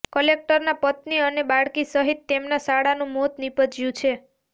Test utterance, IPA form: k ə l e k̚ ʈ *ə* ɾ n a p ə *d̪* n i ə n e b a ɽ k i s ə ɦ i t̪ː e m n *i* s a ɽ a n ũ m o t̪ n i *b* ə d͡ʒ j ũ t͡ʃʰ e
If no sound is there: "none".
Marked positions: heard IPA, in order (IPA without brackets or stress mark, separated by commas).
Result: ə, t̪, a, p